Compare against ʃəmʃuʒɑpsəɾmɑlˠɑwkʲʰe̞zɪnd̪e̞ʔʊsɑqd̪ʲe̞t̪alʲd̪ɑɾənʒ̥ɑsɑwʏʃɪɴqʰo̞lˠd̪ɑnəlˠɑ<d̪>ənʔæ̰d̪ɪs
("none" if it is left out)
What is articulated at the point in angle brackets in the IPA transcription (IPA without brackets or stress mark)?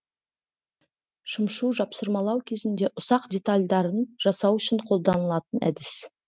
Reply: t̪